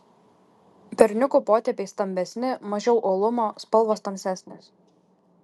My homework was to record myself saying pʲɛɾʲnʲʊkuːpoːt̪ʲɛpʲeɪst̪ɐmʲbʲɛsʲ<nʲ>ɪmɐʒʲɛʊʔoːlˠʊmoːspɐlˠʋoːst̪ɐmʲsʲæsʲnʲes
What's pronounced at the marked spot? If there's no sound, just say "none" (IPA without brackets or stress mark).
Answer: nʲ